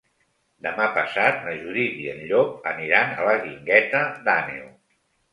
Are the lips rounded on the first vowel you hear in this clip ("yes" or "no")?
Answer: no